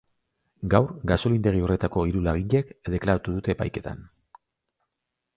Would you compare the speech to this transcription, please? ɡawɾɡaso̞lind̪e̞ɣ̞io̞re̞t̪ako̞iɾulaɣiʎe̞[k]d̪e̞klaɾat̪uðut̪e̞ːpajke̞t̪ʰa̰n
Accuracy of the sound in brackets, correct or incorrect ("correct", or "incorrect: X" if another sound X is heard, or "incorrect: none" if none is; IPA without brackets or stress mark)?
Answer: correct